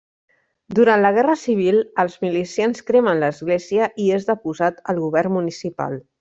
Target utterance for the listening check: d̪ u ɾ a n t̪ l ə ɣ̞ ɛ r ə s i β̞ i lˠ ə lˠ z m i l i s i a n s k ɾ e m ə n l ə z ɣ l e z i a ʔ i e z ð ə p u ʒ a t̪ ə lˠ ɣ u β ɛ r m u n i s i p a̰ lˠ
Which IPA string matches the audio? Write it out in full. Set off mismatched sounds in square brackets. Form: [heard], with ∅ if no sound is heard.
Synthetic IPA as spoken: d̪ u ɾ a n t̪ l ə ɣ̞ ɛ r ə s i β̞ i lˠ ə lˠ z m i l i s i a n s k ɾ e m ə n l ə z ɣ l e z i [ə] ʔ i e z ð ə p u [z] a t̪ ə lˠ ɣ u β ɛ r m u n i s i p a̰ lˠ